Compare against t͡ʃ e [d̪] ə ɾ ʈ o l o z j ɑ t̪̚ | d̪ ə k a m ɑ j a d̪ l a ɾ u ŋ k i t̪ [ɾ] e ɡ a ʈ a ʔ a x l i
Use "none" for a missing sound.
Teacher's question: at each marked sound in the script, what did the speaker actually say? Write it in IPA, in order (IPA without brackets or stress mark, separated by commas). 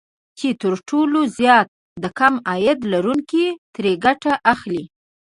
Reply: t̪, ɾ